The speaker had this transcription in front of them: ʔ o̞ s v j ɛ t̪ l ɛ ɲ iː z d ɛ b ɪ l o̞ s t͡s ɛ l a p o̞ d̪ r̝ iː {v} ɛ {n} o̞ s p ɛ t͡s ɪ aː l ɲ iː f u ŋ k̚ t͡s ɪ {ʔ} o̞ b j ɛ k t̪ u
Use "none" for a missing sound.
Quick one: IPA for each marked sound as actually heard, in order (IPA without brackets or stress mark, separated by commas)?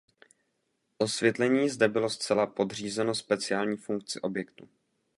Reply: z, n, ʔ